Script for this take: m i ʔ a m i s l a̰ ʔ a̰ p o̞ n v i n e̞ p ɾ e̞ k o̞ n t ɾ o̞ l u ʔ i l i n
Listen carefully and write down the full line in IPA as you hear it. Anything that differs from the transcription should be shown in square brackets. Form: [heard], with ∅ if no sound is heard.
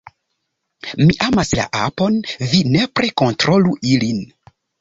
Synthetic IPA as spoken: m i ʔ a m [a] s l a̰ ʔ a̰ p o̞ n v i n e̞ p ɾ e̞ k o̞ n t ɾ o̞ l u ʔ i l i n